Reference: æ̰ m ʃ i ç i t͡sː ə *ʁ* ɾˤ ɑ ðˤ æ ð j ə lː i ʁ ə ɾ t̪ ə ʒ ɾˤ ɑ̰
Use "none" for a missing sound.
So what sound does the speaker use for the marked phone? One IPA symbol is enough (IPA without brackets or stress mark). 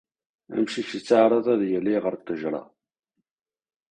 ʕ